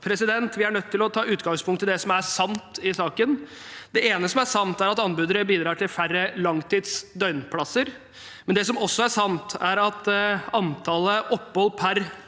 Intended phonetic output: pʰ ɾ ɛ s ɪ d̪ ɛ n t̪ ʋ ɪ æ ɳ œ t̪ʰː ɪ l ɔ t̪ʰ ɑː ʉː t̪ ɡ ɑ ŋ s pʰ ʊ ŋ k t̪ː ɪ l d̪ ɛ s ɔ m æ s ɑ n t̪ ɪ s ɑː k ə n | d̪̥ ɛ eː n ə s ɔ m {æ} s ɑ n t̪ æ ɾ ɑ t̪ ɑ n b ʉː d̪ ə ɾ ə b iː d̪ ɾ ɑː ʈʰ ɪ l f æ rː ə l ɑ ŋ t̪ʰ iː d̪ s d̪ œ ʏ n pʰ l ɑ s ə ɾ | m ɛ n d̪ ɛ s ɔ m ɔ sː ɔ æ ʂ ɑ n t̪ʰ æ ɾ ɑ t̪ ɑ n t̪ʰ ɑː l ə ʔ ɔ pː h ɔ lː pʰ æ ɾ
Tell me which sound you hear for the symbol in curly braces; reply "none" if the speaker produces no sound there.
æ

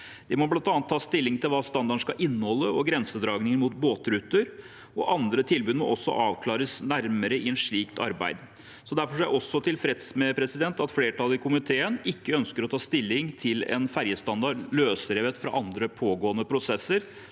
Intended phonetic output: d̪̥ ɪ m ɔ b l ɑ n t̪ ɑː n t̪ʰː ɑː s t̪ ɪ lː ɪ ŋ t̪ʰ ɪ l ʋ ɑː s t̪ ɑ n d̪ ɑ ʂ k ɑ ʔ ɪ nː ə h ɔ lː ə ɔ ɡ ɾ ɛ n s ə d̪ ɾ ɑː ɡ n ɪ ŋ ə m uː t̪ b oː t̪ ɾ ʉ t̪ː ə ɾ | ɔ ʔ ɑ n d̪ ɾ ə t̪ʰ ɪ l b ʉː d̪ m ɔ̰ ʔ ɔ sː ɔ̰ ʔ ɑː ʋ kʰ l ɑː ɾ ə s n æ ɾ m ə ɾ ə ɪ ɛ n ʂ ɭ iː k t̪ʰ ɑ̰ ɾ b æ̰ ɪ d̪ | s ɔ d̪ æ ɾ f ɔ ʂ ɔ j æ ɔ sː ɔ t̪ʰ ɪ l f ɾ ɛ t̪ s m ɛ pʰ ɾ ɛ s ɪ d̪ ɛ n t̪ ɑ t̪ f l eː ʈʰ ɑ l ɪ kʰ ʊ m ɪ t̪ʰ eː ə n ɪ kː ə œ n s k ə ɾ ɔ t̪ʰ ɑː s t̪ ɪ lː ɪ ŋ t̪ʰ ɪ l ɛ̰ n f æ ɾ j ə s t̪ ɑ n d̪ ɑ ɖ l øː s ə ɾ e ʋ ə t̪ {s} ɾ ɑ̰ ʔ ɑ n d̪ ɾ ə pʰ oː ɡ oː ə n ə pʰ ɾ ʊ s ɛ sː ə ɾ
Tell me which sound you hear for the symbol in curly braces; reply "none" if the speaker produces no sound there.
f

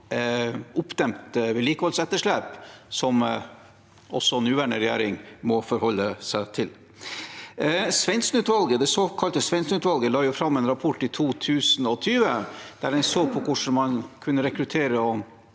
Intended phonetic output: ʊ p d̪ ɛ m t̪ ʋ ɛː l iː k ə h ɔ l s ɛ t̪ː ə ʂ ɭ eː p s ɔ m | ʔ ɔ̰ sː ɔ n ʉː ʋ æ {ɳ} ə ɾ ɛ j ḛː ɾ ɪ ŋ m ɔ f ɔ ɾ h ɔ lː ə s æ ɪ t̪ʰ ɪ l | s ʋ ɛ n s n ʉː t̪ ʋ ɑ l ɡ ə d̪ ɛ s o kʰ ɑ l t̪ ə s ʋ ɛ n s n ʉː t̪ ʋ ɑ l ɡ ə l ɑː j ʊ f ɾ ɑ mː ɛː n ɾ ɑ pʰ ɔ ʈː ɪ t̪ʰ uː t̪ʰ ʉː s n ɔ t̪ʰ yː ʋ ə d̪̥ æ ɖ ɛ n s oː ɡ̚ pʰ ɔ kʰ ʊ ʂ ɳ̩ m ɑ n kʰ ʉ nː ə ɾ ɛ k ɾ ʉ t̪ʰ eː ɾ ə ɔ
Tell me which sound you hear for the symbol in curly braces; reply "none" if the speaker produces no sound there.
ɳ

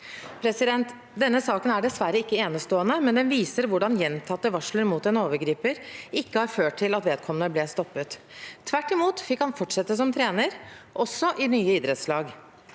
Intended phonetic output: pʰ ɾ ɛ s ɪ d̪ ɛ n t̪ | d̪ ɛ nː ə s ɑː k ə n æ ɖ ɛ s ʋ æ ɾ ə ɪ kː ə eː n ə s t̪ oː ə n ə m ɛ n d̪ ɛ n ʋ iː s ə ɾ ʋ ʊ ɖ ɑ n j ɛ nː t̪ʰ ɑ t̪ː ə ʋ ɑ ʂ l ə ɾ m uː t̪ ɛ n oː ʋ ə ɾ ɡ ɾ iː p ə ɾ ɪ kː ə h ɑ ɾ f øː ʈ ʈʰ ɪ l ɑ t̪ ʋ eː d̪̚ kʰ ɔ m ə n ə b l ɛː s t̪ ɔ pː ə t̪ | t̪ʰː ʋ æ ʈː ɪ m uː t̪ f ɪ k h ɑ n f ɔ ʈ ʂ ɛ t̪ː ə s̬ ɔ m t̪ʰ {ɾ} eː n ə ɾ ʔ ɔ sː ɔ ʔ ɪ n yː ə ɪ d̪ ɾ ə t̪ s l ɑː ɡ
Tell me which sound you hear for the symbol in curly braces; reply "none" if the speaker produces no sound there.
ɾ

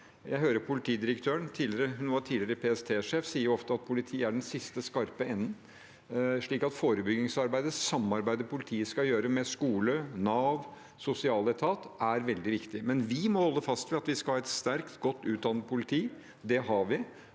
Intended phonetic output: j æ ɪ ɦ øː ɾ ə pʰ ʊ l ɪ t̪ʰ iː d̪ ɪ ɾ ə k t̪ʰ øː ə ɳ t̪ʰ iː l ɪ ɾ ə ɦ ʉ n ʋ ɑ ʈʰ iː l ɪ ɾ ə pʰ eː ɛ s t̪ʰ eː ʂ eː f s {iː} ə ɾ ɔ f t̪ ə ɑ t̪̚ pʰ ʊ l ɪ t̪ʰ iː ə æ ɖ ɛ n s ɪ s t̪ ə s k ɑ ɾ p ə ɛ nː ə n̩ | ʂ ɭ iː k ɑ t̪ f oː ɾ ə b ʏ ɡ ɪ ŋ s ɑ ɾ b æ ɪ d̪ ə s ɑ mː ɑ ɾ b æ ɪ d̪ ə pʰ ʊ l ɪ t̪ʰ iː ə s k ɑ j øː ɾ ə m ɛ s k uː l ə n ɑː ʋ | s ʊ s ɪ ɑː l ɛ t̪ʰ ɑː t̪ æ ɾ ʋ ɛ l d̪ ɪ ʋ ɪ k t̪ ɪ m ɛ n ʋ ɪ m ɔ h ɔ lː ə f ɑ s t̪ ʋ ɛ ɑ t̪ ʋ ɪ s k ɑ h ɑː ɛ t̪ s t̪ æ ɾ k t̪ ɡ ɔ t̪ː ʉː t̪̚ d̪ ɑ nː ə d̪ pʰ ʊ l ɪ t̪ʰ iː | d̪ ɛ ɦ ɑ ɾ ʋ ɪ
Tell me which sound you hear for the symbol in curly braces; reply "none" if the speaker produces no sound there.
iː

